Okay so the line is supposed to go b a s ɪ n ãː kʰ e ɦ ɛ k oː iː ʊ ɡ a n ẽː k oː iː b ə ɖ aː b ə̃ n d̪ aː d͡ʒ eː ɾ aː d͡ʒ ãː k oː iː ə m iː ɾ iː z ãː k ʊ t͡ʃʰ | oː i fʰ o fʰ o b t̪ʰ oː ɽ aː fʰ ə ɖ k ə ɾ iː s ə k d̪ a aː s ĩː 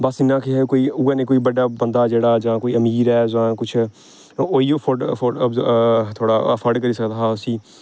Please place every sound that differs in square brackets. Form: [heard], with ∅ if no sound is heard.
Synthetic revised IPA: b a s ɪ n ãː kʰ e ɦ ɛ k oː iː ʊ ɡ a n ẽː k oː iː b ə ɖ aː b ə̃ n d̪ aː d͡ʒ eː [ɽ] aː d͡ʒ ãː k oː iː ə m iː ɾ [ɛː] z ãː k ʊ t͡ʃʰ | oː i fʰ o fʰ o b t̪ʰ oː ɽ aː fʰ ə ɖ k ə ɾ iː s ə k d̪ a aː s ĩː